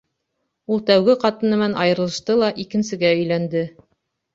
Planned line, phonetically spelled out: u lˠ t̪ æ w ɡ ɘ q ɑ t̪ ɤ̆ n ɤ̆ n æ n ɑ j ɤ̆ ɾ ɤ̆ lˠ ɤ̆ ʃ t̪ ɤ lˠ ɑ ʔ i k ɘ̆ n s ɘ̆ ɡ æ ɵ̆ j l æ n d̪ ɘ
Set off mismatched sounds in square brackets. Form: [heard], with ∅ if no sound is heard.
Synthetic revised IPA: u lˠ t̪ æ w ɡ ɘ q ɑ t̪ ɤ̆ n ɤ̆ [m] æ n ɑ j ɤ̆ ɾ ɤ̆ lˠ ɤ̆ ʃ t̪ ɤ lˠ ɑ ʔ i k ɘ̆ n s ɘ̆ ɡ æ ɵ̆ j l æ n d̪ ɘ